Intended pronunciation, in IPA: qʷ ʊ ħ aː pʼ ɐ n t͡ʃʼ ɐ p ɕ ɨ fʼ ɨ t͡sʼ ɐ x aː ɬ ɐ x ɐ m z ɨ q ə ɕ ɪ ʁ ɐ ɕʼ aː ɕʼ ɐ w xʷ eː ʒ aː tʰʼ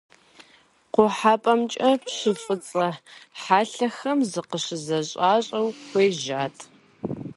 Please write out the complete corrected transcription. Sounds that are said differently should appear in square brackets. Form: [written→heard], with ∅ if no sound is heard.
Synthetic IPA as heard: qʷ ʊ ħ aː pʼ ɐ [n→m] t͡ʃʼ ɐ p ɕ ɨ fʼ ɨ t͡sʼ ɐ [x→ħ] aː ɬ ɐ x ɐ m z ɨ q ə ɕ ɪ [ʁ→z] ɐ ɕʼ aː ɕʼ ɐ w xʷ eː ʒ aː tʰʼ

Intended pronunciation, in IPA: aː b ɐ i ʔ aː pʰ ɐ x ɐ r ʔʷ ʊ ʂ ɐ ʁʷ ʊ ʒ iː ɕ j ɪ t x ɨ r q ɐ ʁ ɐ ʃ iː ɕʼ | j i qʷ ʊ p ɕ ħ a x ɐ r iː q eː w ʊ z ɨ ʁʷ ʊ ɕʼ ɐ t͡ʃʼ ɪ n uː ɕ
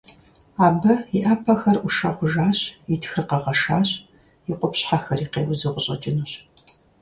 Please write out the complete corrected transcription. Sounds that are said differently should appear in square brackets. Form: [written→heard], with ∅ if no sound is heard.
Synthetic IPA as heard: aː b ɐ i ʔ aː pʰ ɐ x ɐ r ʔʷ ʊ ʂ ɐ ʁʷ ʊ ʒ [iː→aː] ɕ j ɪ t x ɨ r q ɐ ʁ ɐ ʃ [iː→aː] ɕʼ | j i qʷ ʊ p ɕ ħ a x ɐ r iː q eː w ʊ z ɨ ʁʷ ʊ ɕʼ ɐ t͡ʃʼ ɪ n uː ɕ

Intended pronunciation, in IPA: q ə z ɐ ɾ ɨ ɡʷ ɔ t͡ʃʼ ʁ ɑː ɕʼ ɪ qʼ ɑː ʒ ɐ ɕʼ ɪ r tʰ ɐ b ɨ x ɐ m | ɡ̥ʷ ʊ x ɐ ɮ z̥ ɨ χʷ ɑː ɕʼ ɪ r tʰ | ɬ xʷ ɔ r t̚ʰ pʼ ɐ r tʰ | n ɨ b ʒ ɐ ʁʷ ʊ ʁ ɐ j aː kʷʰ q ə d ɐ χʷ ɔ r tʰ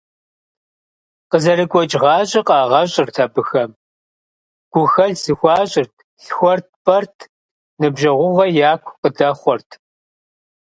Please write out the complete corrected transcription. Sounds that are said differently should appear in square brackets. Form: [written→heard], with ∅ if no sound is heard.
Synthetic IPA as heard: q ə z ɐ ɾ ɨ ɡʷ ɔ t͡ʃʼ ʁ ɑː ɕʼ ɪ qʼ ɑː [ʒ→ʁ] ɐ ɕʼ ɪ r tʰ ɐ b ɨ x ɐ m | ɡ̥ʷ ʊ x ɐ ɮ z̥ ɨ [χʷ→xʷ] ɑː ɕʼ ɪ r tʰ | ɬ xʷ ɔ r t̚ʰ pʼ ɐ r tʰ | n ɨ b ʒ ɐ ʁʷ ʊ ʁ ɐ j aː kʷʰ q ə d ɐ χʷ ɔ r tʰ

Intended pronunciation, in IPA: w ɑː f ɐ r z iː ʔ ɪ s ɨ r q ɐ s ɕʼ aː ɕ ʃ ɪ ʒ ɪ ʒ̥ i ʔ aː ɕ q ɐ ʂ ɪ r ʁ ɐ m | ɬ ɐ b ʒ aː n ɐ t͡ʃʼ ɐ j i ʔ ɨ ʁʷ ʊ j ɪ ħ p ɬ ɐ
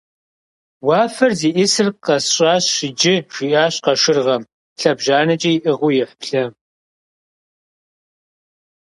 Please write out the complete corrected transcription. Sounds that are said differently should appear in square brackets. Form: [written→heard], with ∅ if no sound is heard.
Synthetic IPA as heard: w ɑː f ɐ r z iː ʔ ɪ s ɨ r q ɐ s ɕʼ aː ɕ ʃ ɪ [ʒ→d͡ʒ] ɪ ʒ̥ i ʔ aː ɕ q ɐ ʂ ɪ r ʁ ɐ m | ɬ ɐ b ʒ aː n ɐ t͡ʃʼ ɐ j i ʔ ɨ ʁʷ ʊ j ɪ ħ p ɬ ɐ

